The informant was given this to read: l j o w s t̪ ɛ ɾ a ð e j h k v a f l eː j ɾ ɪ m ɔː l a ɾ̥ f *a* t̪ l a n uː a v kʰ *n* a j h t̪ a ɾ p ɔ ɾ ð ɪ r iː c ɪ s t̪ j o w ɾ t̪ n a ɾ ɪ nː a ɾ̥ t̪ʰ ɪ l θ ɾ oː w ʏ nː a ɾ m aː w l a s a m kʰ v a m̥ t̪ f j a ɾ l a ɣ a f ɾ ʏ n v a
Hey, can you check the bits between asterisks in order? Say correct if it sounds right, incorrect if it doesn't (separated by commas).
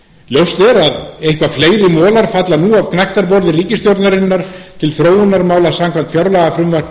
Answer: correct, correct